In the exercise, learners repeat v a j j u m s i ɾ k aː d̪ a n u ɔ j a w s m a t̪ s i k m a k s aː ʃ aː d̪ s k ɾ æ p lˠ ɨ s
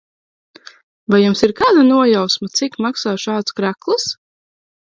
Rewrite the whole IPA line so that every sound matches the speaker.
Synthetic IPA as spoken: v a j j u m s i ɾ k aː d̪ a n u ɔ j a w s m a t̪ s i k m a k s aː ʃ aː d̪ s k ɾ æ k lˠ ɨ s